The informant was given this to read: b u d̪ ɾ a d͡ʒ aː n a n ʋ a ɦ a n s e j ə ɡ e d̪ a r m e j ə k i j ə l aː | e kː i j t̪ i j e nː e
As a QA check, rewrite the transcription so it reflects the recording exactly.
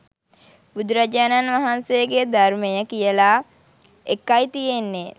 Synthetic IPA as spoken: b u d̪ ɾ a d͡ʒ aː n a n ʋ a ɦ a n s e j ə ɡ e d̪ a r m e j ə k i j ə l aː | e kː a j t̪ i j e nː e

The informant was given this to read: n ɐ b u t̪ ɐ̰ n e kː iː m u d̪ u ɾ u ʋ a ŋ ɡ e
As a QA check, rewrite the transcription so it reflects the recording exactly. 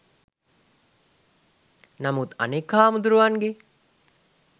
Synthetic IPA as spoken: n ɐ m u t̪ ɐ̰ n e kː aː m u d̪ u ɾ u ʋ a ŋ ɡ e

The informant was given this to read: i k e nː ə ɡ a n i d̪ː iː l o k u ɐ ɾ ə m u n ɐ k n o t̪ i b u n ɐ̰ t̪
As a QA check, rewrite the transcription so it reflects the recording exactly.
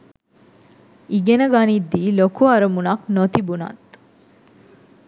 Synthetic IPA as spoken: i ɡ e n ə ɡ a n i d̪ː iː l o k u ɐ ɾ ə m u n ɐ k n o t̪ i b u n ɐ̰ t̪

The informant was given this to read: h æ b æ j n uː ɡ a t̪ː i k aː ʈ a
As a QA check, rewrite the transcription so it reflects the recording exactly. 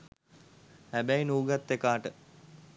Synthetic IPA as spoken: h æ b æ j n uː ɡ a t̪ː e k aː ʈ ə

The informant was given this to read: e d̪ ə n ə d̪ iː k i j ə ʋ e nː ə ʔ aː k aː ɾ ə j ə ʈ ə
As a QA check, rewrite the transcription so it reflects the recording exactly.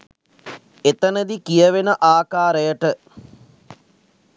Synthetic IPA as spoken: e t̪ ə n ə d̪ i k i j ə ʋ e n ə ʔ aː k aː ɾ ə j ə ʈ ə

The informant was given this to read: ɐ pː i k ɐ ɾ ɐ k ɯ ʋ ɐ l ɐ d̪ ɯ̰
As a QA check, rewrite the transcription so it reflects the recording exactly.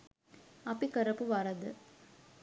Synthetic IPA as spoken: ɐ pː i k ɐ ɾ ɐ p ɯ ʋ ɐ ɾ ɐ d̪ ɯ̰

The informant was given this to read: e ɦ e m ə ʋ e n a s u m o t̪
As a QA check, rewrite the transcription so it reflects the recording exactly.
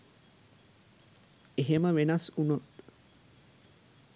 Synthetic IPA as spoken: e ɦ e m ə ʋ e n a s u n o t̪

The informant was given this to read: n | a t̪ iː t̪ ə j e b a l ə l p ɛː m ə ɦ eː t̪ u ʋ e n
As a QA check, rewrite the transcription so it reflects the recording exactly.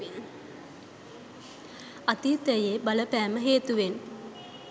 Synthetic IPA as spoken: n | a t̪ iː t̪ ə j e b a l ə p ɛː m ə ɦ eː t̪ u ʋ e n

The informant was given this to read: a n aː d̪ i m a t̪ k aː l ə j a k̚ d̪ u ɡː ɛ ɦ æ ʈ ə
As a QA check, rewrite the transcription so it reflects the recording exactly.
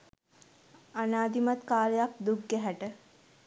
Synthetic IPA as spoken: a n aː d̪ i m a t̪ k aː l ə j a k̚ d̪ u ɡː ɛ ɦ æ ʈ ə

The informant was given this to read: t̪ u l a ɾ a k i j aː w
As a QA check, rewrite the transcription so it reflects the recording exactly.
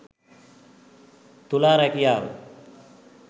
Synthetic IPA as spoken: t̪ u l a ɾ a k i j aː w

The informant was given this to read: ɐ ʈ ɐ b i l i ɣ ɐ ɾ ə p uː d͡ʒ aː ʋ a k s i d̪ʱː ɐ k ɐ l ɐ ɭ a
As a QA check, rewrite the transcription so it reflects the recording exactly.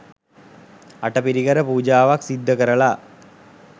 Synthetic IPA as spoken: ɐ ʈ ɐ p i ɾ i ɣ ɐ ɾ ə p uː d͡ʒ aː ʋ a k s i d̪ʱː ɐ k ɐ ɾ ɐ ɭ a

